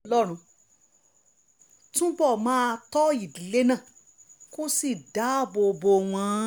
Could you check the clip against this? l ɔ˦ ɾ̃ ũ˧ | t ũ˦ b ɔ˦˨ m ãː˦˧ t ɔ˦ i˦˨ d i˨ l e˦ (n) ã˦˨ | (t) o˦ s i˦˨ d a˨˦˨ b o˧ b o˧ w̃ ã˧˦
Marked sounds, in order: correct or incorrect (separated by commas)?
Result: correct, incorrect